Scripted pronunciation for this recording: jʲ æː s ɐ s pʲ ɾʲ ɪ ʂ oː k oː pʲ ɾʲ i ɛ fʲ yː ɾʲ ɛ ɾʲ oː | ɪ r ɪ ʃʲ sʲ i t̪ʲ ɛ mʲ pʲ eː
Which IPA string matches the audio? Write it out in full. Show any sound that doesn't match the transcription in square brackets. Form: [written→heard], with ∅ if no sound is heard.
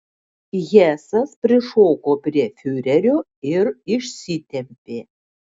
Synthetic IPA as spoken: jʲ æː s ɐ s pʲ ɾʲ ɪ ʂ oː k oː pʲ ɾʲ i ɛ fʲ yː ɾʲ ɛ ɾʲ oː | ɪ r ɪ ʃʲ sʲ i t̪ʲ ɛ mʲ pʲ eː